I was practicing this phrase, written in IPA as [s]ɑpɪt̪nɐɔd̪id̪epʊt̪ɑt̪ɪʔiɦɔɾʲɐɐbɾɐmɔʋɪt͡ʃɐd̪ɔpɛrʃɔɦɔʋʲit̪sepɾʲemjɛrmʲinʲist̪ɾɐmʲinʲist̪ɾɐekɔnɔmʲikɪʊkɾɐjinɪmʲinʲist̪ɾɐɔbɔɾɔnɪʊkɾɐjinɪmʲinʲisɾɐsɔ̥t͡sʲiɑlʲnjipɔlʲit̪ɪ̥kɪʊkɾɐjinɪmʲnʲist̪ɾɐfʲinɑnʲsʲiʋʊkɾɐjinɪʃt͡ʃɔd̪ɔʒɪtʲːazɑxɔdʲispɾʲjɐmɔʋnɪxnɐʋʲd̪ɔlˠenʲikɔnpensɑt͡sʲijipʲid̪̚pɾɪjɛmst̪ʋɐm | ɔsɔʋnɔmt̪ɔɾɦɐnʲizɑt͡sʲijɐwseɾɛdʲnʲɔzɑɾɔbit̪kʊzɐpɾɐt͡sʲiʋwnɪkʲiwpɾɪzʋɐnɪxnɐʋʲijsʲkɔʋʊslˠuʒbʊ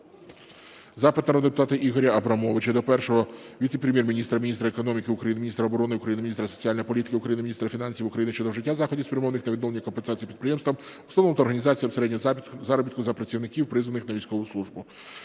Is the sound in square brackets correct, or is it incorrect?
incorrect